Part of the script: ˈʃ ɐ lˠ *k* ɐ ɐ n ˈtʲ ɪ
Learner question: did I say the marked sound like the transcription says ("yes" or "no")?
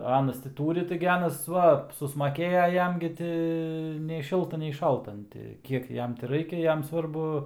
no